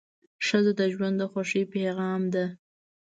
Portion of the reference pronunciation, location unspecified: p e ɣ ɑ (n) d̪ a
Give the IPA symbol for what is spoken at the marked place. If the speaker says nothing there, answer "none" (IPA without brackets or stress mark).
m